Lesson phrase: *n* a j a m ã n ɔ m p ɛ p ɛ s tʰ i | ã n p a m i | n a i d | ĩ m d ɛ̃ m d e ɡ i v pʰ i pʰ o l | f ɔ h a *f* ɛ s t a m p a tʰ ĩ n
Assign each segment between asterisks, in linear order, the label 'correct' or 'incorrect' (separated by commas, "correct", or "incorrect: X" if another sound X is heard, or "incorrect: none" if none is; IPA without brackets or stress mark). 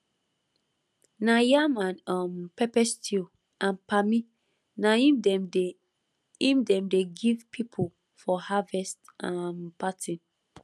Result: correct, incorrect: v